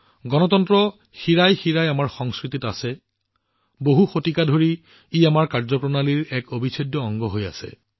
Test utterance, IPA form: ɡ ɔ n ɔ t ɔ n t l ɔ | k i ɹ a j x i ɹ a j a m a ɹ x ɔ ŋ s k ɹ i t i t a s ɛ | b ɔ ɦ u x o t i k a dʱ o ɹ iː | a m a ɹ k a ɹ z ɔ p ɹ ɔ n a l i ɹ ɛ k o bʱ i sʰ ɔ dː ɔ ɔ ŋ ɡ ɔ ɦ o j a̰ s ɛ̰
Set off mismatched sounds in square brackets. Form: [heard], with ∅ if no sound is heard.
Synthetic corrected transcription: ɡ ɔ n ɔ t ɔ n t [ɹ] ɔ | [x] i ɹ a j x i ɹ a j a m a ɹ x ɔ ŋ s k ɹ i t i t a s ɛ | b [o] ɦ u x o t i k a dʱ o ɹ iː | a m a ɹ k a ɹ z ɔ p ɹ ɔ n a l i ɹ ɛ k o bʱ i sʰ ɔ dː ɔ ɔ ŋ ɡ ɔ ɦ o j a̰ s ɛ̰